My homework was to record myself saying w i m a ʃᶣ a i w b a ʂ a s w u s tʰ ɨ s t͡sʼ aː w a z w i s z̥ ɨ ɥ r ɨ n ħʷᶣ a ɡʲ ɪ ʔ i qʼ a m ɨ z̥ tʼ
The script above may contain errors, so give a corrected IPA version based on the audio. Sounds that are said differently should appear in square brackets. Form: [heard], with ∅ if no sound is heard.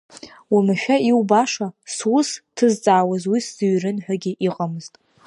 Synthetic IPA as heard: w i m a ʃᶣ a i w b a ʂ a s w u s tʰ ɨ [z] t͡sʼ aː w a z w i s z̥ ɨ ɥ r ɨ n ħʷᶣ a ɡʲ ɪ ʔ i qʼ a m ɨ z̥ tʼ